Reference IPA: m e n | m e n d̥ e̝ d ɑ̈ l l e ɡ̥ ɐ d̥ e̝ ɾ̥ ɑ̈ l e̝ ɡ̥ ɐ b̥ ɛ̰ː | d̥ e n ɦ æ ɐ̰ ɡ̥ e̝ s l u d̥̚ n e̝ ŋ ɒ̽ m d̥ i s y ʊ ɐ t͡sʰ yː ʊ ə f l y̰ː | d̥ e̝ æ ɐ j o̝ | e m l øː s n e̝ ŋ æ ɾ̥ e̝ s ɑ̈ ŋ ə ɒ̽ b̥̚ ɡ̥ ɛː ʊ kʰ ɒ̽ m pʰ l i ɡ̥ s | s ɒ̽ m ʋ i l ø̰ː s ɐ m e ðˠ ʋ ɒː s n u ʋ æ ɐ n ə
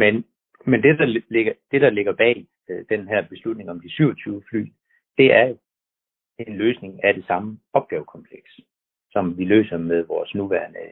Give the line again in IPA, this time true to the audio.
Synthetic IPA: m e n | m e n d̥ e̝ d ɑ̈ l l e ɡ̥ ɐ d̥ e̝ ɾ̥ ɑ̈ l e̝ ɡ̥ ɐ b̥ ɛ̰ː | d̥ e n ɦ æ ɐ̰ b̥ e̝ s l u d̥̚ n e̝ ŋ ɒ̽ m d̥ i s y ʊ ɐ t͡sʰ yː ʊ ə f l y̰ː | d̥ e̝ æ ɐ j o̝ | e n l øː s n e̝ ŋ æ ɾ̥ e̝ s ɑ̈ m ə ɒ̽ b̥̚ ɡ̥ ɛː ʊ kʰ ɒ̽ m pʰ l e ɡ̥ s | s ɒ̽ m ʋ i l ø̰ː s ɐ m e ðˠ ʋ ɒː s n u ʋ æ ɐ n ə